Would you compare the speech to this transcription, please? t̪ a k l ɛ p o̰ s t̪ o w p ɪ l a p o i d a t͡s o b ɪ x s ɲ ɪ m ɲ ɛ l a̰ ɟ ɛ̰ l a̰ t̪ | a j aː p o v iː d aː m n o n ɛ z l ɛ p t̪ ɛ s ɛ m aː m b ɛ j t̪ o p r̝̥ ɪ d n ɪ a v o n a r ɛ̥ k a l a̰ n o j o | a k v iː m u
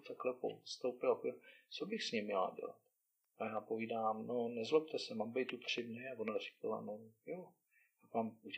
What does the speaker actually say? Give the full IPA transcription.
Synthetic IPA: t̪ a k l ɛ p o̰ s t̪ o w p ɪ l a p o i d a t͡s o b ɪ x s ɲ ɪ m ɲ ɛ l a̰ ɟ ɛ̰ l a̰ t̪ | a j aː p o v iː d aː m n o n ɛ z l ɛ p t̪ ɛ s ɛ m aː m b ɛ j t̪ u p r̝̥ ɪ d n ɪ a v o n a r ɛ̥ k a l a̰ n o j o | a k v aː m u